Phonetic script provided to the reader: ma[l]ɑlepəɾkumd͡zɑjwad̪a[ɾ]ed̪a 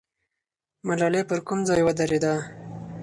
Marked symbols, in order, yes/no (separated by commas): yes, yes